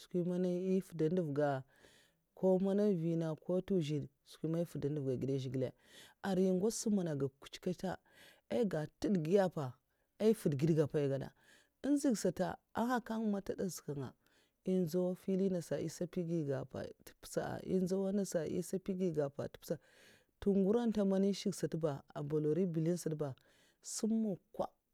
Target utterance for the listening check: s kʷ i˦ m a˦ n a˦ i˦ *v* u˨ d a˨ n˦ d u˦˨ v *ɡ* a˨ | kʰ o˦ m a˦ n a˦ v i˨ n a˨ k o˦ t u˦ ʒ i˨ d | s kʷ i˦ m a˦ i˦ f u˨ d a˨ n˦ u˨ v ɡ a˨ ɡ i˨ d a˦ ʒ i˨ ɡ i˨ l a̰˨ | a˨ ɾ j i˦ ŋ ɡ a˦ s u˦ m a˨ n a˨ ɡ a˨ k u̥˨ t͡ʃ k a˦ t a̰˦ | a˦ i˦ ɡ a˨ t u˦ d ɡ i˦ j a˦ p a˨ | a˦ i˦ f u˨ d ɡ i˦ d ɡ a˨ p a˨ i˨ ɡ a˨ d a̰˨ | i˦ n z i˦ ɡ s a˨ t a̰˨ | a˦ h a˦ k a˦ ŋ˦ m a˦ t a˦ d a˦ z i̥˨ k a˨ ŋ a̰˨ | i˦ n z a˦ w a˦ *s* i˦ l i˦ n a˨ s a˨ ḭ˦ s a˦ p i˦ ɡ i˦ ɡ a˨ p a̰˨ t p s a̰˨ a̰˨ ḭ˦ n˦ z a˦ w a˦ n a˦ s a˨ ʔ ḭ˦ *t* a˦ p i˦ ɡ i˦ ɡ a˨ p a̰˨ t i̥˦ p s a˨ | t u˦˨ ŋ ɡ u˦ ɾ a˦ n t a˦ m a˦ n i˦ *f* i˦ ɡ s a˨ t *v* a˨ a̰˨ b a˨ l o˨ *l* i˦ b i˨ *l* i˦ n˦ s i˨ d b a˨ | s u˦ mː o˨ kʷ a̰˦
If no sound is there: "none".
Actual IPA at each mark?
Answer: f, ɡ, f, s, ʃ, b, ɾ, l

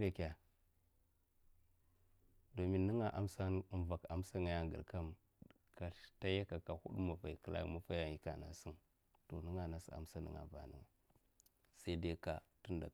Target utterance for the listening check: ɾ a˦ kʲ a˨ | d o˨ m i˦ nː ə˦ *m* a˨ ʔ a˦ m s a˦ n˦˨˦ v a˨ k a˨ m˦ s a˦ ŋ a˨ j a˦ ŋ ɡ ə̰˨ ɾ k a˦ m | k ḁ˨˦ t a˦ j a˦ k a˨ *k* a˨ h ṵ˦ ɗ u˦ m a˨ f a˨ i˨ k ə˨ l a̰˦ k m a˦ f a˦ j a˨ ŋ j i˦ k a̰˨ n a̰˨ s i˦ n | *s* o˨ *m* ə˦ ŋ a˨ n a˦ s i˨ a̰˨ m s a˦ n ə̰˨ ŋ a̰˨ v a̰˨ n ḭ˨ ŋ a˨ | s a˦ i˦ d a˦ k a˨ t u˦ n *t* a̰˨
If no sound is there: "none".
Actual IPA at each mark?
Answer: ŋ, k, t, n, d

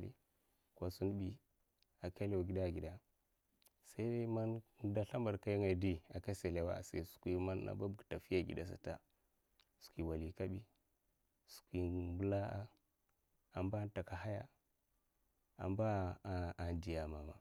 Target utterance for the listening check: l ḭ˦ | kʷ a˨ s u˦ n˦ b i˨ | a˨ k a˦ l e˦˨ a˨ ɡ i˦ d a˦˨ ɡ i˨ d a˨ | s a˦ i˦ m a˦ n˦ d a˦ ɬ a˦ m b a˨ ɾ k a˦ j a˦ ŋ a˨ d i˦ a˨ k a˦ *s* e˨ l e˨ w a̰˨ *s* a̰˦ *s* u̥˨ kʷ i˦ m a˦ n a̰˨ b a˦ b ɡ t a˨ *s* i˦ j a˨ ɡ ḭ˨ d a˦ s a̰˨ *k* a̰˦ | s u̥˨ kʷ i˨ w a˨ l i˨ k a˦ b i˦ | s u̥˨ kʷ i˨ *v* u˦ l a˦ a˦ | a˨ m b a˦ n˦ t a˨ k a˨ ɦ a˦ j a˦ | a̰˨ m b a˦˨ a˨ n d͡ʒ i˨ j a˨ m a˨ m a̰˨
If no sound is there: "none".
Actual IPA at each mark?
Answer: s, s, s, f, t, b

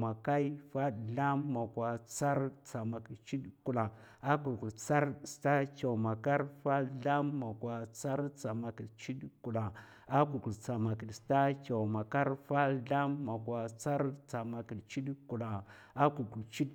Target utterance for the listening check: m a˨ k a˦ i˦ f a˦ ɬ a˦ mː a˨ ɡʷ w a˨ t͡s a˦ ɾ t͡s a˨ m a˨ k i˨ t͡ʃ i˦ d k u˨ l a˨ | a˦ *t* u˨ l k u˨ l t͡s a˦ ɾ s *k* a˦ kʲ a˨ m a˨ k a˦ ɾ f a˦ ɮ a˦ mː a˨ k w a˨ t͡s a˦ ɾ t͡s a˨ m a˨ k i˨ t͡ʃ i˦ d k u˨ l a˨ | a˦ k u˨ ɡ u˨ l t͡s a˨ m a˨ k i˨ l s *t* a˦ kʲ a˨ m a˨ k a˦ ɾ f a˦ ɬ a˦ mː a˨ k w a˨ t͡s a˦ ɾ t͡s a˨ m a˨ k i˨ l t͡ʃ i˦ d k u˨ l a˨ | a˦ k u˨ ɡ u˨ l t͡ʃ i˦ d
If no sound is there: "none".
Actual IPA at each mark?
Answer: k, t, t

